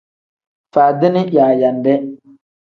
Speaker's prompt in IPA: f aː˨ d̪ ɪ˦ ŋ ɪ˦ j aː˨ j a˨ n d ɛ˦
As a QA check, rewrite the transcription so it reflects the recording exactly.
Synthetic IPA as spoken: f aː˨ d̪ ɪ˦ n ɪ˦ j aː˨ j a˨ n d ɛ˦